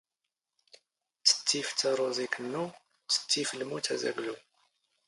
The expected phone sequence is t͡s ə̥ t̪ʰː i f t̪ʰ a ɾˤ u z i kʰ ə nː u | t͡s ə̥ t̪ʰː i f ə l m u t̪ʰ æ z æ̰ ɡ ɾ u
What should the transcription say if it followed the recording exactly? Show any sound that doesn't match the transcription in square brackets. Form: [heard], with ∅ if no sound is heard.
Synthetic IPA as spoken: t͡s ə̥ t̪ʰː i f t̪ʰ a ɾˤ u z i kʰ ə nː u | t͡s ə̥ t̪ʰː i f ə l m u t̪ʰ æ z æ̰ ɡ [l] u